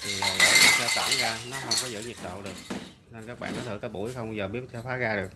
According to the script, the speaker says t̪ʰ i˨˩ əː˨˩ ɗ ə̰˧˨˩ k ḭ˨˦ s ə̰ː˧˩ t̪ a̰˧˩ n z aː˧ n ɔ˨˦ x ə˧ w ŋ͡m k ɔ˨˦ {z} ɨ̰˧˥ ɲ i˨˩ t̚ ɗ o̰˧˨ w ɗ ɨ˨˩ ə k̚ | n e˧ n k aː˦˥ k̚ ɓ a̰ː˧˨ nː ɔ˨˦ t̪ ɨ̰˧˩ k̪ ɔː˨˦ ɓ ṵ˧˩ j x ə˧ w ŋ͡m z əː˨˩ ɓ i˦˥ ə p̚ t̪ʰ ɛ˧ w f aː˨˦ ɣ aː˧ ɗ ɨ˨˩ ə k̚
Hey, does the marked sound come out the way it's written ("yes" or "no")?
yes